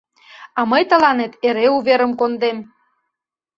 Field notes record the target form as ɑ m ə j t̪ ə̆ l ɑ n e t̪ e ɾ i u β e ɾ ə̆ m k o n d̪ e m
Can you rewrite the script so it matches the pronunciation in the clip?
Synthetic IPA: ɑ m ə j t̪ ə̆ l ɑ n e t̪ e ɾ e u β e ɾ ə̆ m k o n d̪ e m